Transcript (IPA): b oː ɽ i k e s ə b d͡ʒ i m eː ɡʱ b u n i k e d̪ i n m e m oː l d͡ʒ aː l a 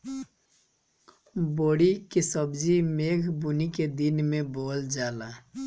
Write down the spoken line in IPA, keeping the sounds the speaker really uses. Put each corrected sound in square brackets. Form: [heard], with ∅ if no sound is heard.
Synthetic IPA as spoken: b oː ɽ i k e s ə b d͡ʒ i m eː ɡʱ b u n i k e d̪ i n m e [b] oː l d͡ʒ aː l a